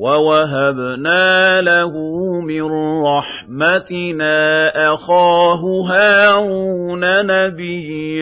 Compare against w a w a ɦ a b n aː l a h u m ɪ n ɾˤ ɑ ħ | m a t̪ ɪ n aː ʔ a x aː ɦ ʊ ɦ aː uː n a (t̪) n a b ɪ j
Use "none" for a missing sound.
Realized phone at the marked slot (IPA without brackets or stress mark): none